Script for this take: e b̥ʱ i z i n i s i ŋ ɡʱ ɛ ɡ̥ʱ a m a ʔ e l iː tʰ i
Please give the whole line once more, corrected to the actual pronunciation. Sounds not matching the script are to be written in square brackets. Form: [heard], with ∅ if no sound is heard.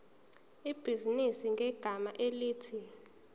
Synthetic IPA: [i] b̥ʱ i z i n i s i ŋ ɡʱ ɛ ɡ̥ʱ a m a ʔ e l iː tʰ i